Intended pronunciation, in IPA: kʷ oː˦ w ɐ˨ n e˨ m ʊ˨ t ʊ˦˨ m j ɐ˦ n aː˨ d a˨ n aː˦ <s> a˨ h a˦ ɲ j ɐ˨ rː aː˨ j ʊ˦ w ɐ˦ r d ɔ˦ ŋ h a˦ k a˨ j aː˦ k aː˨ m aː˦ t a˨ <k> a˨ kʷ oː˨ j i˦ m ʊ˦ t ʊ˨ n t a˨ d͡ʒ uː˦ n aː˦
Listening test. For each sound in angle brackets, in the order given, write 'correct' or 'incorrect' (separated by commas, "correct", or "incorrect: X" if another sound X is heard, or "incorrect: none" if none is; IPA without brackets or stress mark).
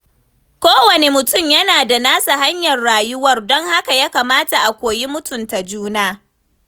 correct, incorrect: ʔ